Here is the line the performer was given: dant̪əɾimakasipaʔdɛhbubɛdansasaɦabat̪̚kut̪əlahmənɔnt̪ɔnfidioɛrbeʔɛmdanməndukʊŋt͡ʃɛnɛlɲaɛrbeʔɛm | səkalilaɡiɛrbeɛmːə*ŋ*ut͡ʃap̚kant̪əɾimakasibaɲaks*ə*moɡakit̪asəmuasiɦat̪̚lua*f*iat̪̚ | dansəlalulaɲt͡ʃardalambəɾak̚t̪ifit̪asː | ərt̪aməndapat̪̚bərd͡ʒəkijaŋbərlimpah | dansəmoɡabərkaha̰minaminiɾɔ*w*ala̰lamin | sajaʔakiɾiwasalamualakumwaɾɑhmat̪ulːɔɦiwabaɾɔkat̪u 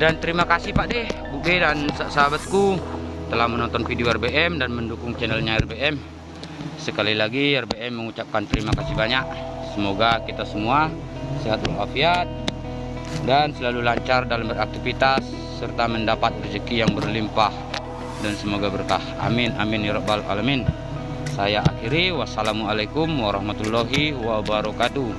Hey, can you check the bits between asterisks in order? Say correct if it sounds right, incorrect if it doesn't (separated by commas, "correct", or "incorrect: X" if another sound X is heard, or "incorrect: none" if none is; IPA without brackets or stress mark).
correct, correct, correct, incorrect: b